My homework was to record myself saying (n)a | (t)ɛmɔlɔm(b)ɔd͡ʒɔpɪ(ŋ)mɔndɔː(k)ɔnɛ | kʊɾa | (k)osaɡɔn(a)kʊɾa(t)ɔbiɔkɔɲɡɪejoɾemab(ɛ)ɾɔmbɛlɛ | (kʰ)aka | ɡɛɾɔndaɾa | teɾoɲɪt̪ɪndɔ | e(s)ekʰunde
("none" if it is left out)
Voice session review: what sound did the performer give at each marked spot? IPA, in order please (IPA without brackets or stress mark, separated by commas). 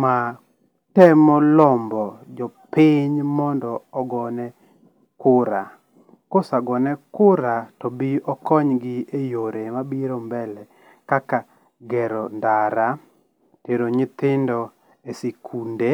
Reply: m, t, b, ɲ, ɡ, k, ɛ, t, i, k, s